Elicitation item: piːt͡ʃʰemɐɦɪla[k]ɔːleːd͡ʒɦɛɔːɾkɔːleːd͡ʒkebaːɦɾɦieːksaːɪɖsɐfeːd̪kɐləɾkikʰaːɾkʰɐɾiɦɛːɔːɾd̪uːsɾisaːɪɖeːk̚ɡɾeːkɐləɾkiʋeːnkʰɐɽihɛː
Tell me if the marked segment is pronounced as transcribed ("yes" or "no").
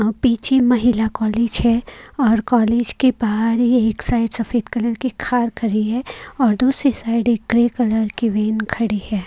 yes